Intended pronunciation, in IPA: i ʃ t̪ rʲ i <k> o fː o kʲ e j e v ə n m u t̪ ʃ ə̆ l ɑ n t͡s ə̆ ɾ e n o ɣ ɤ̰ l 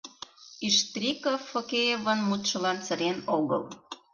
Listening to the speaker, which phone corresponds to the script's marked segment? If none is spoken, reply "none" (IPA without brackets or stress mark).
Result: k